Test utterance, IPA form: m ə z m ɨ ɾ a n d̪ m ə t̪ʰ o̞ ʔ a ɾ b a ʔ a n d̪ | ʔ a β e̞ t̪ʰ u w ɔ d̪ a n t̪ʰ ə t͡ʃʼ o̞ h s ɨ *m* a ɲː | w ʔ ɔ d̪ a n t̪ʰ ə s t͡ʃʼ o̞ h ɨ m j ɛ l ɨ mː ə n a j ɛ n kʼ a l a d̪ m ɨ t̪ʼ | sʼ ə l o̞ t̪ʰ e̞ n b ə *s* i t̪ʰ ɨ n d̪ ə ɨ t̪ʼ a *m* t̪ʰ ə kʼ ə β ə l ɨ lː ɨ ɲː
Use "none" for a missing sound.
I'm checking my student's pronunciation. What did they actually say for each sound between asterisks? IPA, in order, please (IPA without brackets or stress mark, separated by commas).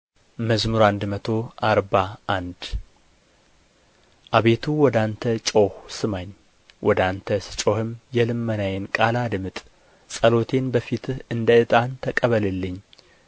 m, f, n